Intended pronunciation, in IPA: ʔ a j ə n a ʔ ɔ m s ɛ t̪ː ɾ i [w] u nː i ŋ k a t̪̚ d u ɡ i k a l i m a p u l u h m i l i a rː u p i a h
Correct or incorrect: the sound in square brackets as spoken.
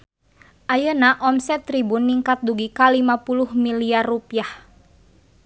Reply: incorrect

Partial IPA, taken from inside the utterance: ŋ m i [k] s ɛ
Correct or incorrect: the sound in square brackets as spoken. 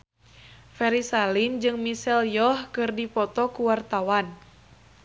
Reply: incorrect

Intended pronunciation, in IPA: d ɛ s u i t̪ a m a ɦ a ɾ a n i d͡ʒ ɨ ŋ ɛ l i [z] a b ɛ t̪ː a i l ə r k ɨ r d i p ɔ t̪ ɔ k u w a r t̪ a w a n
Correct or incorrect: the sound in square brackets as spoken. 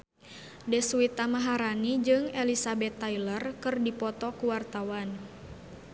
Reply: incorrect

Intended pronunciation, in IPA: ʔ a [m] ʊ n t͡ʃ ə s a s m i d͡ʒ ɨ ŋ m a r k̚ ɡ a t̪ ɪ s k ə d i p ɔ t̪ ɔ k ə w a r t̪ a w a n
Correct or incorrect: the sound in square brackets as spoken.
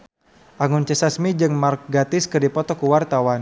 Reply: incorrect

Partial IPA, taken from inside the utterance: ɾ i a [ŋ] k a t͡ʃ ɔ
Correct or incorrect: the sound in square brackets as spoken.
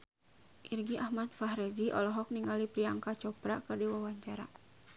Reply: correct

